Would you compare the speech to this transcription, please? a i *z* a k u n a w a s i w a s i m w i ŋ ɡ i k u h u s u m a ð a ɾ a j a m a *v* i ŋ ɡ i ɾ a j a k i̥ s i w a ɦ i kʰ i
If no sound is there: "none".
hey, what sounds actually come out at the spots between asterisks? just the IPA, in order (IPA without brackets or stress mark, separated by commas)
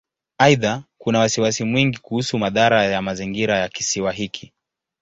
ð, z